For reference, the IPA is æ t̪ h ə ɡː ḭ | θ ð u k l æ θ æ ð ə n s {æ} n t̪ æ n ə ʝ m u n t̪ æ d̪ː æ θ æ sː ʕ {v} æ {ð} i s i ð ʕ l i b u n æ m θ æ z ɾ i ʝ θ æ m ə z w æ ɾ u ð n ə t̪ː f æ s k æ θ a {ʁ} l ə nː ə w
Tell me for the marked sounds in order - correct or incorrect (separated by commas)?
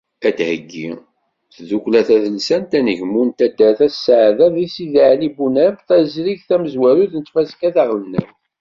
correct, incorrect, correct, correct